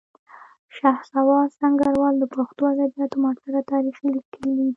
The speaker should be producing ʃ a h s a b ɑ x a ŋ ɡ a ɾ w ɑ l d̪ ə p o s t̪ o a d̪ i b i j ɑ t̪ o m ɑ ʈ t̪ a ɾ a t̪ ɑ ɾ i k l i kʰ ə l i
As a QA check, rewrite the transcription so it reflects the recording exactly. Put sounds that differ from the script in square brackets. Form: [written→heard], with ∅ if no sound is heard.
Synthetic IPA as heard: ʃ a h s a [b→w] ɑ [x→s] a ŋ ɡ a ɾ w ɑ l d̪ ə p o [s→x] t̪ o a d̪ [i→a] b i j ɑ t̪ o m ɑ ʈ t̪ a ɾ a t̪ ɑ ɾ i [k→x] l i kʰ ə l i